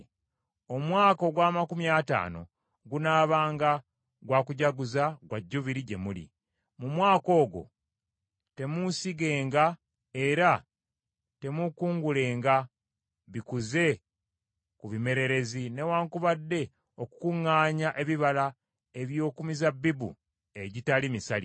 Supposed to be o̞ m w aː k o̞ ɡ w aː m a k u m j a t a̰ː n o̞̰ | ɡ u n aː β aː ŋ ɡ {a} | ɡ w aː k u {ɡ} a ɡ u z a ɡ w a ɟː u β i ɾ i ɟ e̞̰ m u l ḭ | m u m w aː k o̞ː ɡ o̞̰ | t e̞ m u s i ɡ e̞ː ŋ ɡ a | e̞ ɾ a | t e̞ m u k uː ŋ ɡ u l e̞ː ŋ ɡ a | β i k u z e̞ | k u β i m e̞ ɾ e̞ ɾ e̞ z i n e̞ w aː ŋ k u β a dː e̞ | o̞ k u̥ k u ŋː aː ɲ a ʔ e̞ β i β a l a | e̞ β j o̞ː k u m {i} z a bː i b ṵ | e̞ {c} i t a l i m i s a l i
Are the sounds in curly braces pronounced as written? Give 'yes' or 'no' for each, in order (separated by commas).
yes, no, yes, no